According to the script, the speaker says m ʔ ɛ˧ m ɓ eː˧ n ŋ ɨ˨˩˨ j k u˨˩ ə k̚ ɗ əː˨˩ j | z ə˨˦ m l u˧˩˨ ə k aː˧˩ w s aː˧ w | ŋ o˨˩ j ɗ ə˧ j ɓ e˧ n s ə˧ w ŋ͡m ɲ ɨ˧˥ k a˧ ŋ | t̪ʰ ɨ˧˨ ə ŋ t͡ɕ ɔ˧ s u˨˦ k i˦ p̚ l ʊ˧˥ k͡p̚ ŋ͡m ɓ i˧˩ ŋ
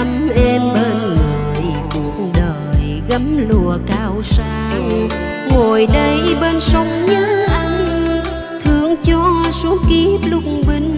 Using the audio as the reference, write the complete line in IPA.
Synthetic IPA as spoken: m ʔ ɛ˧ m ɓ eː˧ n ŋ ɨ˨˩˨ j k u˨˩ ə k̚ ɗ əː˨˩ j | ɣ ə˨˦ m l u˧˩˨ ə k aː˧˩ w s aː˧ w | ŋ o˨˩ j ɗ ə˧ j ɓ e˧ n s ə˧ w ŋ͡m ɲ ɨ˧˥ ʔ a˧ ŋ | t̪ʰ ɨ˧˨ ə ŋ t͡ɕ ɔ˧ s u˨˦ k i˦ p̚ l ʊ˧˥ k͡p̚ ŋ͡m ɓ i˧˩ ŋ